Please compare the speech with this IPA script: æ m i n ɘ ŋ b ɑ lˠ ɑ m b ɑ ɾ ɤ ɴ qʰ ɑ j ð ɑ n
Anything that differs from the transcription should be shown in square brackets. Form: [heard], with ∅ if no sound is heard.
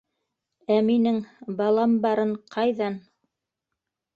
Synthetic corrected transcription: æ m i n ɘ ŋ b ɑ lˠ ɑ m b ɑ ɾ ɤ ɴ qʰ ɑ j ð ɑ n